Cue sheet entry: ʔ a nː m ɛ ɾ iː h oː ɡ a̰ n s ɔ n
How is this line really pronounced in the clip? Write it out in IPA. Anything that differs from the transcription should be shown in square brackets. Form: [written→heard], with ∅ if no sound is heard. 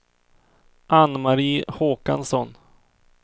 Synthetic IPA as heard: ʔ a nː m [ɛ→a] ɾ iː h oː [ɡ→k] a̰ n s ɔ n